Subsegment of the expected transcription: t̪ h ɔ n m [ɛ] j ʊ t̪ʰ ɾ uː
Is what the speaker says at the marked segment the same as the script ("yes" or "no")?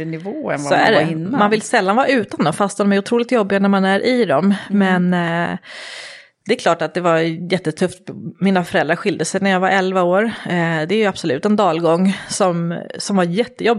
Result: yes